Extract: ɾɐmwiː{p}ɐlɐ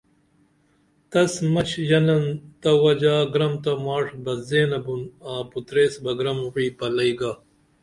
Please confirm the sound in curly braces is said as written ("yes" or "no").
yes